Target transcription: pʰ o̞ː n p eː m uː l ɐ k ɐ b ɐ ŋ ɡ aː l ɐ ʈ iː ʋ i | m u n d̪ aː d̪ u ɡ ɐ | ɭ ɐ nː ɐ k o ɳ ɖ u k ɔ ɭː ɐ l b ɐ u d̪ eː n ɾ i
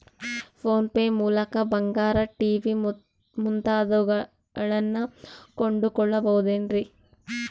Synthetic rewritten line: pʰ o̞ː n p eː m uː l ɐ k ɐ b ɐ ŋ ɡ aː ɾ ɐ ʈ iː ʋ i | m u n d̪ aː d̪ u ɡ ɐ | ɭ ɐ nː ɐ k o ɳ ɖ u k ɔ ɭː ɐ b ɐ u d̪ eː n ɾ i